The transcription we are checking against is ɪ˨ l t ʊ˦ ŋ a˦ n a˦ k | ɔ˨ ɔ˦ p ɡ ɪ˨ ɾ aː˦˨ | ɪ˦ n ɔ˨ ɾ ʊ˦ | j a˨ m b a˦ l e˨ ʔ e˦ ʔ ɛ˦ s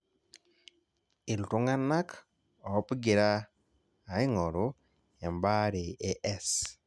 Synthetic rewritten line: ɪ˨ l t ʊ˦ ŋ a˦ n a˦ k | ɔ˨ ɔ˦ p ɡ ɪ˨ ɾ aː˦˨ | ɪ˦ ŋ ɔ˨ ɾ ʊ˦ | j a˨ m b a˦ ɾ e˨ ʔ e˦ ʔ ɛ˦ s